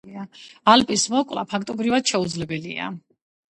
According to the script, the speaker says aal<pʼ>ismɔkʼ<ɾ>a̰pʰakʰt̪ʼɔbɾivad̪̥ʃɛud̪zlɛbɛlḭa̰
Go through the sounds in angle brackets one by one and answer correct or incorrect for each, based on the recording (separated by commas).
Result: correct, incorrect